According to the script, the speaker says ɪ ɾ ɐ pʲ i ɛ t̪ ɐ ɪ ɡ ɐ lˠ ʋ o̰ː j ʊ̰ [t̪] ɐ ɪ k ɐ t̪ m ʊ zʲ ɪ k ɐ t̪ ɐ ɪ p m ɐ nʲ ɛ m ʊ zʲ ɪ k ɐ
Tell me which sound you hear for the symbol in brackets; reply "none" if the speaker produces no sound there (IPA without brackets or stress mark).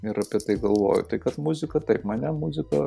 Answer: t̪